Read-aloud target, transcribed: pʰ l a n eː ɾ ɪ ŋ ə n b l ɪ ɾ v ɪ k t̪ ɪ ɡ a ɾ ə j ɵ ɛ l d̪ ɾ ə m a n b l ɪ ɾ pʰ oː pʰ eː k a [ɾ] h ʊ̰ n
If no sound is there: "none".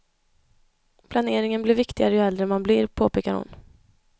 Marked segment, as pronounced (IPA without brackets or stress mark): ɾ